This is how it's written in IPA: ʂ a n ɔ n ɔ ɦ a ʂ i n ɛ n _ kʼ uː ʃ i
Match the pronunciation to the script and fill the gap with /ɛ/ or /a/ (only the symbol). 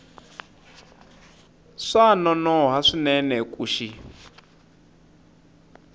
ɛ